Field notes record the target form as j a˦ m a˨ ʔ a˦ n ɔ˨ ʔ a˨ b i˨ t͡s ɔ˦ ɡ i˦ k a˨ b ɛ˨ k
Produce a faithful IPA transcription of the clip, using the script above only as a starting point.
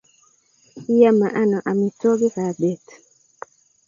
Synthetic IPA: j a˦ m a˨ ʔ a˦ n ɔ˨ ʔ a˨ m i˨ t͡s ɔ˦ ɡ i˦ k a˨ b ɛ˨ t

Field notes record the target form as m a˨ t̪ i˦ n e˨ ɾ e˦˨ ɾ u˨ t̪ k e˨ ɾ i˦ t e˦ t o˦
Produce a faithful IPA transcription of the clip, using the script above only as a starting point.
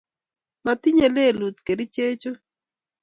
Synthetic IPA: m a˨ t̪ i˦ ɲ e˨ l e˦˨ l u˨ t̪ k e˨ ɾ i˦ t͡ʃ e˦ t͡ʃ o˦

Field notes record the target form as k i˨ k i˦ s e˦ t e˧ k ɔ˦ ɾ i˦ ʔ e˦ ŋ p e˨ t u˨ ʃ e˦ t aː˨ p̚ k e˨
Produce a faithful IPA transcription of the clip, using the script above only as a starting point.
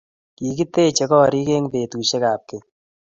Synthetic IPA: k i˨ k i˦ t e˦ t͡ʃ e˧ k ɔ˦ ɾ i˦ k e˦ ŋ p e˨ t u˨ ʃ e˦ k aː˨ p̚ k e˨

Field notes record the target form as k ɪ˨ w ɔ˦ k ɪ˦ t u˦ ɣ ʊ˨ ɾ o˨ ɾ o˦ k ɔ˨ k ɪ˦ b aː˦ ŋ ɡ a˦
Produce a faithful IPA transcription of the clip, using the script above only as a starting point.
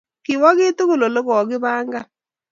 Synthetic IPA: k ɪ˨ w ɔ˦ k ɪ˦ t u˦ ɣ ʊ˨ l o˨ l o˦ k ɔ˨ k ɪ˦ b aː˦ ŋ ɡ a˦

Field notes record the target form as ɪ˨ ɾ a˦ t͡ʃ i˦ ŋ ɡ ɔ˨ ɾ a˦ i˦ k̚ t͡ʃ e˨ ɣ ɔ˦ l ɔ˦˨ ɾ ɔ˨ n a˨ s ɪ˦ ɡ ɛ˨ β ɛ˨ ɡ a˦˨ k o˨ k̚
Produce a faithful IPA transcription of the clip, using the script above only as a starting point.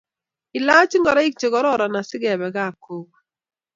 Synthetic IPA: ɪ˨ l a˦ t͡ʃ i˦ ŋ ɡ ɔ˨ ɾ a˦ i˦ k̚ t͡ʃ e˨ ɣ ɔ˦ ɾ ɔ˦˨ ɾ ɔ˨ n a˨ s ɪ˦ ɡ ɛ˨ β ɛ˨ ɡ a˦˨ k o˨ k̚

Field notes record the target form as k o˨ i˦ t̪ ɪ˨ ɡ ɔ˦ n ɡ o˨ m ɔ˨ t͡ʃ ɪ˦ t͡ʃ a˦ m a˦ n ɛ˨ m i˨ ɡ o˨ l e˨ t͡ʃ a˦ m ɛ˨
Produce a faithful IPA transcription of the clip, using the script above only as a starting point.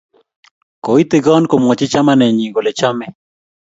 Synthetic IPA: k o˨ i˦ t̪ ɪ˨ ɡ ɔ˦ n k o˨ m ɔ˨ t͡ʃ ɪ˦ t͡ʃ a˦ m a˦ n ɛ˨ ɲ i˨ ɡ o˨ l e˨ t͡ʃ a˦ m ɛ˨

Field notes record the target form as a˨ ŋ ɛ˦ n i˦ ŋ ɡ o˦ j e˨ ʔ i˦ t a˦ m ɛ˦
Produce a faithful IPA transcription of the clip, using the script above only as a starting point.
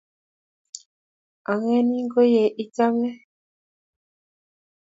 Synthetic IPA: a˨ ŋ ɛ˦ n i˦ ŋ ɡ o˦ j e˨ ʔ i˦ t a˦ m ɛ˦

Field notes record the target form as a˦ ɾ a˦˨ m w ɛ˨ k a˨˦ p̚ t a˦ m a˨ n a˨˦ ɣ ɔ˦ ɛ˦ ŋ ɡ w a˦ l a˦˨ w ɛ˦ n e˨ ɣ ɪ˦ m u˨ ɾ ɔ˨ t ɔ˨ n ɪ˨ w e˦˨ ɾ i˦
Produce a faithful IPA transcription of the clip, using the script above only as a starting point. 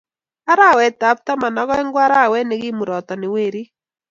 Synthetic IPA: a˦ ɾ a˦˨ w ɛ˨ t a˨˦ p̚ t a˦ m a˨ n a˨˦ ɣ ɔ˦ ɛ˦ ŋ ɡ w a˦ ɾ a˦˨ w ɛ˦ n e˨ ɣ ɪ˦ m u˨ ɾ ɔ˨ t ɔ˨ n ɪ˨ w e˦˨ ɾ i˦

